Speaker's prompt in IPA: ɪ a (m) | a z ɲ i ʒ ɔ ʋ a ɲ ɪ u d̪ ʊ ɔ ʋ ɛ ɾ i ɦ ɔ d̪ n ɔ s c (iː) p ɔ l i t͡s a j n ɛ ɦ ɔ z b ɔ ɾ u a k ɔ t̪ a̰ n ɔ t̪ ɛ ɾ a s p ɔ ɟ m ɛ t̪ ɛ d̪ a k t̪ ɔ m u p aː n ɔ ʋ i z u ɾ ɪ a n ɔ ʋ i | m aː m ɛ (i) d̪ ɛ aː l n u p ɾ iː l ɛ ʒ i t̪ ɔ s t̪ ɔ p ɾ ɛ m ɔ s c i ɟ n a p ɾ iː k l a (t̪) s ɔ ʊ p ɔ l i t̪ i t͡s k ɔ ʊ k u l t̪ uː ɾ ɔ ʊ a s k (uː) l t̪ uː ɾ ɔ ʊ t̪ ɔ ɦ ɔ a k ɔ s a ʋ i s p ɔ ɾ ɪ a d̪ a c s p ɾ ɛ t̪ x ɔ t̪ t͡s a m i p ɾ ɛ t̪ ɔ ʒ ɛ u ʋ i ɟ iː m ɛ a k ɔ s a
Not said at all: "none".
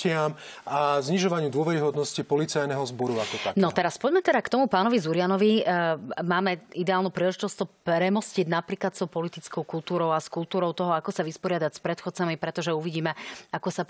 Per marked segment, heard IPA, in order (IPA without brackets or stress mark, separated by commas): m, i, i, t̪, u